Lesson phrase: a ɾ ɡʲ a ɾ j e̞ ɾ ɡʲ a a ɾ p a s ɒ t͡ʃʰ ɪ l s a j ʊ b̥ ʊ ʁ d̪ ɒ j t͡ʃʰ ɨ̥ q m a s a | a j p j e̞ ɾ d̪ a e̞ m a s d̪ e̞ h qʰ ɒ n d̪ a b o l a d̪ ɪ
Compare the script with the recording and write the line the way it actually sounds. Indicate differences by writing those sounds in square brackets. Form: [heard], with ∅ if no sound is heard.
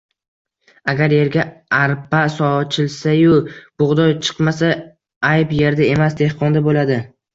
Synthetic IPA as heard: a [∅] ɡʲ a ɾ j e̞ ɾ ɡʲ a a ɾ p a s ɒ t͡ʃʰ ɪ l s a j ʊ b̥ ʊ ʁ d̪ ɒ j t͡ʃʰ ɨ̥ q m a s a | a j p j e̞ ɾ d̪ a e̞ m a s d̪ e̞ h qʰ ɒ n d̪ a b o l a d̪ ɪ